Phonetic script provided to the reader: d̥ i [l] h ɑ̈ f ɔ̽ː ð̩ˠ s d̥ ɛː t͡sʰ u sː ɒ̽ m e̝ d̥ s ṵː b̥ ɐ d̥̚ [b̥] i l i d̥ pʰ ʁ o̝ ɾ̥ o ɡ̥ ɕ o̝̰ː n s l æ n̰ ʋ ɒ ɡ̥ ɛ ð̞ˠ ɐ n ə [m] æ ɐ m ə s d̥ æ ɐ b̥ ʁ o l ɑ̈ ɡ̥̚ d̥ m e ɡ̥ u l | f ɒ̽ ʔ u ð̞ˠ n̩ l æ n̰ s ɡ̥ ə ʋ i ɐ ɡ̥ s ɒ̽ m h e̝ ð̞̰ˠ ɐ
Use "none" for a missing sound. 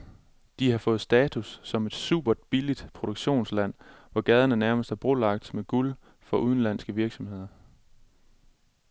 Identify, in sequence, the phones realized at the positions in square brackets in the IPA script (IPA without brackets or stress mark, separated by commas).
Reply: none, b̥, n